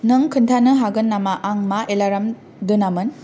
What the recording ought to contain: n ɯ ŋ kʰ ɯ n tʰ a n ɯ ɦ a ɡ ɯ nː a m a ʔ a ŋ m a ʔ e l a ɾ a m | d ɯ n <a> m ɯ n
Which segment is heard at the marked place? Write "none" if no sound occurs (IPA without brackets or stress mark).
a